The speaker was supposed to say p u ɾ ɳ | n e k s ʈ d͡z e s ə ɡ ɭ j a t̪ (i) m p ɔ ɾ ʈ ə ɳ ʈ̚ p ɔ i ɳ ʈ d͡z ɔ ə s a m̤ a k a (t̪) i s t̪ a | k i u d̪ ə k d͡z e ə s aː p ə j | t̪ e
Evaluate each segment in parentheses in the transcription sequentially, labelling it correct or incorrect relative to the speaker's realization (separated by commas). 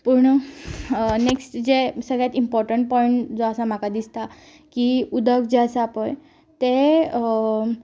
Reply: correct, incorrect